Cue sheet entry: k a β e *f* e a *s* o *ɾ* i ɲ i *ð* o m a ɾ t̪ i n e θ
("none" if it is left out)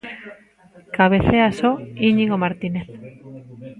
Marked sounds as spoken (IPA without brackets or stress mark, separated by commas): θ, s, none, ɣ